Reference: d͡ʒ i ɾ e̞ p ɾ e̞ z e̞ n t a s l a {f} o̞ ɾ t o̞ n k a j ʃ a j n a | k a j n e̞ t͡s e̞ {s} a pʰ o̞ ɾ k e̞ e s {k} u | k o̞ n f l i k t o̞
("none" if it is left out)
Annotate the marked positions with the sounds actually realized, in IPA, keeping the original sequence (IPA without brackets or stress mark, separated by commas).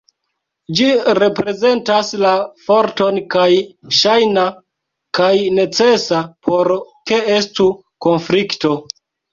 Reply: f, s, t